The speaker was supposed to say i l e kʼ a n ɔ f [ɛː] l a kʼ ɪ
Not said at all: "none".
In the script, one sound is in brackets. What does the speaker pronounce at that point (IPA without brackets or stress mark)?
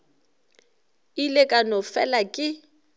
ɛ